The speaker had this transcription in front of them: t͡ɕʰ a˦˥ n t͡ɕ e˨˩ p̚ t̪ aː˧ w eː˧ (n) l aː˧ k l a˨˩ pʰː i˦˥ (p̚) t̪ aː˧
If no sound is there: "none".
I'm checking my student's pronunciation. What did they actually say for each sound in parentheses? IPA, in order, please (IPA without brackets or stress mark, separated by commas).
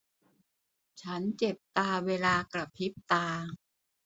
none, p̚